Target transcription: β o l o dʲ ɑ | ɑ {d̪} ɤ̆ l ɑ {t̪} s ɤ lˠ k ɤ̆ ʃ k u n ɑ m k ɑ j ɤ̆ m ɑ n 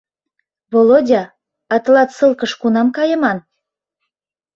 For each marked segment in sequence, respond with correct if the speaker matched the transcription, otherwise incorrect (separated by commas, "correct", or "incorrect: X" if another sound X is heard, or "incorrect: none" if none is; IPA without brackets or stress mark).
incorrect: t̪, correct